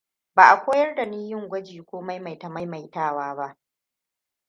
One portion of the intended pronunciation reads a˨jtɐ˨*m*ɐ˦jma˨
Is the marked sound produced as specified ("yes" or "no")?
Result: yes